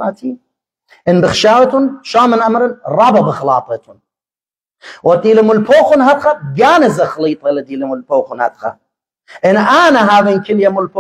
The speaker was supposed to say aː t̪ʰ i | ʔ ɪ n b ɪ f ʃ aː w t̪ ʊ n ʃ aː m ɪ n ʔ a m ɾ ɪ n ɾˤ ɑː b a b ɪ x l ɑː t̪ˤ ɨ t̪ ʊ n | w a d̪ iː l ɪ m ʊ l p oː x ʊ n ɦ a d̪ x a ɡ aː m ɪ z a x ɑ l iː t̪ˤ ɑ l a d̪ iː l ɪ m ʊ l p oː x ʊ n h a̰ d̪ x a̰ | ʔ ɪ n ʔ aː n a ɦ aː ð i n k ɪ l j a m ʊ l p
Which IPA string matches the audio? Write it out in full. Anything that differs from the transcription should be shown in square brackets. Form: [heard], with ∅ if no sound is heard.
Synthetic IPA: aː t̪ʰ i | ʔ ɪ n b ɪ [x] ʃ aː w t̪ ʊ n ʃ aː m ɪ n ʔ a m ɾ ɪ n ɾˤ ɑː b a b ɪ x l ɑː t̪ˤ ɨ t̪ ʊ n | w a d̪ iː l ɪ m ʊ l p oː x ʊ n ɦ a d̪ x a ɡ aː [n] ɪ z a x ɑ l iː t̪ˤ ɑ l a d̪ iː l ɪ m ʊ l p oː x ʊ n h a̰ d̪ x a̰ | ʔ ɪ n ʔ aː n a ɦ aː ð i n k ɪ l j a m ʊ l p